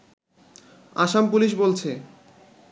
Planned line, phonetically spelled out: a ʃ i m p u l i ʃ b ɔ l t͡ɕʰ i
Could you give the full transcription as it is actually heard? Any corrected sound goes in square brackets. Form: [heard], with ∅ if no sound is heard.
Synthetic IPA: a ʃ [a] m p u l i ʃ b [o] l t͡ɕʰ [e]